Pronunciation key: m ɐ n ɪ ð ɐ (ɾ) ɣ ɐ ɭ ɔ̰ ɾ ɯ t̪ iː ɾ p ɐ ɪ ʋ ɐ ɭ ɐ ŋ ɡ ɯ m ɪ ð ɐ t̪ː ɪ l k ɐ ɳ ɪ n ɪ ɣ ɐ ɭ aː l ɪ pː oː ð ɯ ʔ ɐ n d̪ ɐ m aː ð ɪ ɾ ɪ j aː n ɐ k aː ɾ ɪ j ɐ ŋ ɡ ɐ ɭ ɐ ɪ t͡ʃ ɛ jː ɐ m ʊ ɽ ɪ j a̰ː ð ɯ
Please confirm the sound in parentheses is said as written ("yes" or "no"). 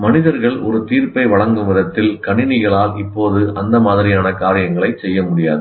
yes